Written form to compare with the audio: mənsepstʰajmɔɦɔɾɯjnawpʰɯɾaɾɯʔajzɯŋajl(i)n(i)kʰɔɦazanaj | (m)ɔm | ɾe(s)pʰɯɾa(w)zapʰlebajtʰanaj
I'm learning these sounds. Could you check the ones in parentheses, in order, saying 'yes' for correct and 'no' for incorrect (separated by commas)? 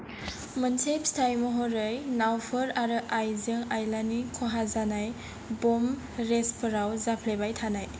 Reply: no, yes, no, yes, yes